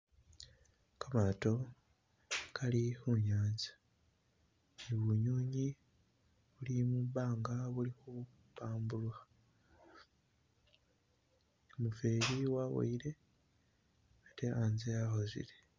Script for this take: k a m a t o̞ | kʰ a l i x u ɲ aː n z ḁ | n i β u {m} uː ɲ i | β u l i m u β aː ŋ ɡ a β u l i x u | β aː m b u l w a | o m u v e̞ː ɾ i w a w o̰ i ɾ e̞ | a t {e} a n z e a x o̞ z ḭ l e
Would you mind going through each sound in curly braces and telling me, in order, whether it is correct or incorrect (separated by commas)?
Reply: incorrect, correct